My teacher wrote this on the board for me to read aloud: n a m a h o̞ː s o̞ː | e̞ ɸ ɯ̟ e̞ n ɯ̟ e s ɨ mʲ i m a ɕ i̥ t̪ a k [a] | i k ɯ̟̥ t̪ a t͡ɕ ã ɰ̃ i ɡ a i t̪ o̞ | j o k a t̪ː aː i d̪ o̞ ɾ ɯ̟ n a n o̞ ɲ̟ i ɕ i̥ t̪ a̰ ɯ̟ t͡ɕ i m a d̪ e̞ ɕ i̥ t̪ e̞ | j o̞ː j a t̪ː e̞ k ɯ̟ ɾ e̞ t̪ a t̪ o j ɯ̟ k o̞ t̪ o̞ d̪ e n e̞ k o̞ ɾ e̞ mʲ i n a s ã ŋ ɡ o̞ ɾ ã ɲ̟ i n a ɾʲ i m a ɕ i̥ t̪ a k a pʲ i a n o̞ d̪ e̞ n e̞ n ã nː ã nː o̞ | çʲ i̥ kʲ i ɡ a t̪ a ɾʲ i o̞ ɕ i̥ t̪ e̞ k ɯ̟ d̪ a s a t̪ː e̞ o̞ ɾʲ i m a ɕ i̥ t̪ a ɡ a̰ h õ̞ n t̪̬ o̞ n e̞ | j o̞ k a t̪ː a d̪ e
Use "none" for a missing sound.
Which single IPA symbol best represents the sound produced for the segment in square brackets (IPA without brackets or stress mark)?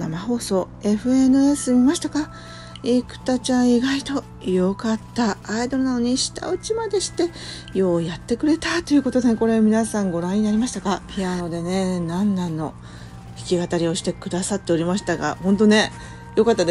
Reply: a